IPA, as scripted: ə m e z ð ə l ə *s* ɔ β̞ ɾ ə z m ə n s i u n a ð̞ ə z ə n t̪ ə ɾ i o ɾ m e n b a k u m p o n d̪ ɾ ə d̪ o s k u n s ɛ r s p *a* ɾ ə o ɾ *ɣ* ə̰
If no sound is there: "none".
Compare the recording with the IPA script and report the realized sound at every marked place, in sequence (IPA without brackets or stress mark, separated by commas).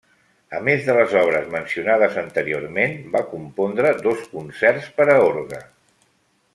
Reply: z, ə, ɣ